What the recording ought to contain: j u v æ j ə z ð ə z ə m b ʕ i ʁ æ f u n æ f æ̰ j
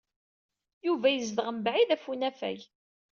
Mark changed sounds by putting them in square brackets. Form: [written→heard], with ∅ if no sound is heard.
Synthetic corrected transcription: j u v æ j ə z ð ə [z→ʁ] ə m b ʕ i [ʁ→ð] æ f u n æ f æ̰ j